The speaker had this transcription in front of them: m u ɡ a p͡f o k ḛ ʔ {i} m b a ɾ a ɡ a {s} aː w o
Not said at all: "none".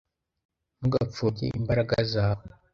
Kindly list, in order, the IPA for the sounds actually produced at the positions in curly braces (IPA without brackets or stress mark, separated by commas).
i, z